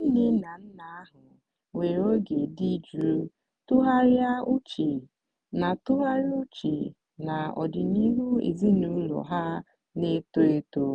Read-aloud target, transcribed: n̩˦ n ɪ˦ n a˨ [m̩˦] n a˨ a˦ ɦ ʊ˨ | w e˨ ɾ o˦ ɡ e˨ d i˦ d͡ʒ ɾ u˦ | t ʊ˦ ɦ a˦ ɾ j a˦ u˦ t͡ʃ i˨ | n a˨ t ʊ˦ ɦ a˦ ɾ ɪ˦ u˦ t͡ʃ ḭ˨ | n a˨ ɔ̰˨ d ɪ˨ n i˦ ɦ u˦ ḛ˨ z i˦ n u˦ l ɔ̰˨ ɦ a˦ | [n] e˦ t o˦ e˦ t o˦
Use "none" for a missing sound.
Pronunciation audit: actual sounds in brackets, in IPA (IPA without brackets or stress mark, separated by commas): n̩˦, n